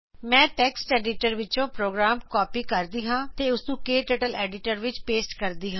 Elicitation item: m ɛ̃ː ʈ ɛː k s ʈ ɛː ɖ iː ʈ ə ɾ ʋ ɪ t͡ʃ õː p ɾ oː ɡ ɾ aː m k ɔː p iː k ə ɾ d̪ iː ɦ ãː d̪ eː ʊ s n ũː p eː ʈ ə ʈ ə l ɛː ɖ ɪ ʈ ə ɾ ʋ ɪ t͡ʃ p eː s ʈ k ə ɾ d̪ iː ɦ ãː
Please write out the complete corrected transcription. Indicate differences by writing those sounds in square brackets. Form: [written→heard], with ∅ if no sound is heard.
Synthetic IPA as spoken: m ɛ̃ː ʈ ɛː k s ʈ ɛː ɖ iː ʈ ə ɾ ʋ ɪ t͡ʃ õː p ɾ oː ɡ ɾ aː m k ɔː p iː k ə ɾ d̪ iː ɦ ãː [d̪→t̪] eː ʊ s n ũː [p→k] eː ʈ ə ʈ ə l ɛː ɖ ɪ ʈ ə ɾ ʋ ɪ t͡ʃ p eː s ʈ k ə ɾ d̪ iː ɦ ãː

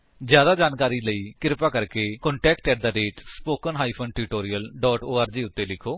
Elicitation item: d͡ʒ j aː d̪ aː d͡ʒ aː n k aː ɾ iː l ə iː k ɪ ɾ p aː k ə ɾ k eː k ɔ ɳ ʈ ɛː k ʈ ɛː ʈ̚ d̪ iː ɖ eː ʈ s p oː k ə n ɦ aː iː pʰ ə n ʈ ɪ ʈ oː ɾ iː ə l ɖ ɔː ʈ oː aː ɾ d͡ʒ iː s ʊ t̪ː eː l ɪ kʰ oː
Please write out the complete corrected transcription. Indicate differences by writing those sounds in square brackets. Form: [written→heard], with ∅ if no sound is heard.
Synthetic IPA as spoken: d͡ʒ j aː d̪ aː d͡ʒ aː n k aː ɾ iː l ə iː k ɪ ɾ p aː k ə ɾ k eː k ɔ ɳ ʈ ɛː k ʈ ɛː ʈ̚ d̪ [iː→aː] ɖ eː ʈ s p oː k ə n ɦ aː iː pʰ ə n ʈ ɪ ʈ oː ɾ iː ə l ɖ ɔː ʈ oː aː ɾ d͡ʒ iː [s→∅] ʊ t̪ː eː l ɪ kʰ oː

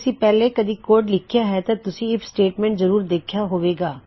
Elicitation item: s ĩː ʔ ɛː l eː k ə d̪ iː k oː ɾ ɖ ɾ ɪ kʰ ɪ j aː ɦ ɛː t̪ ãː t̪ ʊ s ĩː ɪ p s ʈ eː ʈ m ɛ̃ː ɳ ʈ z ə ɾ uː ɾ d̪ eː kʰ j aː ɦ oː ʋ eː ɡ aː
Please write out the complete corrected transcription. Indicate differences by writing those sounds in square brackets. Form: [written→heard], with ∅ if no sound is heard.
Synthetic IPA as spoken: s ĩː [ʔ→p] ɛː l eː k ə d̪ iː k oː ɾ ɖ [ɾ→l] ɪ kʰ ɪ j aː ɦ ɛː t̪ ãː t̪ ʊ s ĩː ɪ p s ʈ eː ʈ m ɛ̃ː ɳ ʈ z ə ɾ uː ɾ d̪ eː kʰ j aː ɦ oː ʋ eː ɡ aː

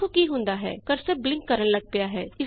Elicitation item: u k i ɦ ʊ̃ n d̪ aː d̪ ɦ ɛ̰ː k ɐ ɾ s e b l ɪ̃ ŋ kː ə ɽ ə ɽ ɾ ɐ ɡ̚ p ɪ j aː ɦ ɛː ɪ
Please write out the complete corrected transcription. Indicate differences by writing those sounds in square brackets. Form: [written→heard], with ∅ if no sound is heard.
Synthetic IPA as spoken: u k i ɦ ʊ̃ n d̪ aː [d̪→∅] ɦ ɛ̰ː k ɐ ɾ s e b l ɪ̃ ŋ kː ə [ɽ→ɾ] ə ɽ [ɾ→l] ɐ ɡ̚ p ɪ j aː ɦ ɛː ɪ

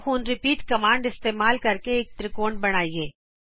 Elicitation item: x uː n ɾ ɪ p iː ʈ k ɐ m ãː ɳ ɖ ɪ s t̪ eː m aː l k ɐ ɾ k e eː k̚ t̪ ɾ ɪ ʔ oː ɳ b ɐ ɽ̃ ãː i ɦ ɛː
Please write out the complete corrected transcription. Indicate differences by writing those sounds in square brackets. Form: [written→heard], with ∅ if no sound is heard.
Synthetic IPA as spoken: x uː n ɾ ɪ p iː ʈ k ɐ m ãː ɳ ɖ ɪ s t̪ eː m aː l k ɐ ɾ k e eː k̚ t̪ ɾ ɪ [ʔ→k] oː ɳ b ɐ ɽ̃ [ãː→aː] i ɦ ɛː

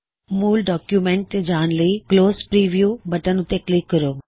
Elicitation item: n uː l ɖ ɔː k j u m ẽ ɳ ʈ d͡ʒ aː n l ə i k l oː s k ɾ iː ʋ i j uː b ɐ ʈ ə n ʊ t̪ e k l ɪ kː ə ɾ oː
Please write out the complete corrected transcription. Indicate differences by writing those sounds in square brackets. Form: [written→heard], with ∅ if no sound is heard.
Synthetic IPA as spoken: [n→m] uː l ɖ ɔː k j u m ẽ ɳ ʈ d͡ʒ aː n l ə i k l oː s [k→p] ɾ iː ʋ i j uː b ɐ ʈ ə n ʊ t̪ e k l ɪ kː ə ɾ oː

